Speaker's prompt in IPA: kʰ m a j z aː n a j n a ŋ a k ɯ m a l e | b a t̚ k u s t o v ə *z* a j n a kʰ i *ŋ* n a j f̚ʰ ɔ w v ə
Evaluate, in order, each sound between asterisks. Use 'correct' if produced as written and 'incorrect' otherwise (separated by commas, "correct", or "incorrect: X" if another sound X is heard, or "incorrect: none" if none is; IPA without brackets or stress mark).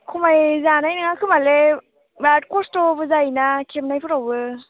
correct, incorrect: m